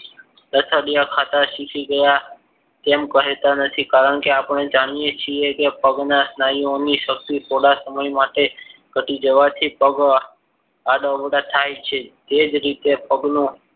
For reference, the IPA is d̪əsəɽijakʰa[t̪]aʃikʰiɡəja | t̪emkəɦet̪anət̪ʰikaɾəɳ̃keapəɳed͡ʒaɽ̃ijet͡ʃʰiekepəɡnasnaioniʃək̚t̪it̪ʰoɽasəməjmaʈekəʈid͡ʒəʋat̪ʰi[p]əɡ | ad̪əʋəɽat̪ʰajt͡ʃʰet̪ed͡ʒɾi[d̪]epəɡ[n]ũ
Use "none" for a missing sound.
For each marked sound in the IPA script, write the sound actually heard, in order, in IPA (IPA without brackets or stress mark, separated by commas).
t̪, p, t̪, n